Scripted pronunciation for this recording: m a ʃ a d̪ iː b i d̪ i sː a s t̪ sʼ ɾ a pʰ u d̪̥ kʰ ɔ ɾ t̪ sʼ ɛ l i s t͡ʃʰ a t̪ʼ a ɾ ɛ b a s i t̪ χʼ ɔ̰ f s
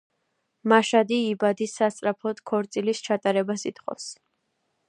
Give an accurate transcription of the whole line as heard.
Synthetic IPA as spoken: m a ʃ a d̪ iː b a d̪ i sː a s t̪ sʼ ɾ a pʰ ɔ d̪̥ kʰ ɔ ɾ t̪ sʼ i l i s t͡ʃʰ a t̪ʼ a ɾ ɛ b a s i t̪ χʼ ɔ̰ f s